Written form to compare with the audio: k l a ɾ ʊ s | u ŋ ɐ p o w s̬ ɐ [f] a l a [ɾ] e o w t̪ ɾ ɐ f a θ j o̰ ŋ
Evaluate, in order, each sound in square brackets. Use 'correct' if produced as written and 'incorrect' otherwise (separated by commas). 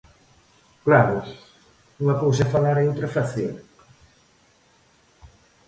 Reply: correct, correct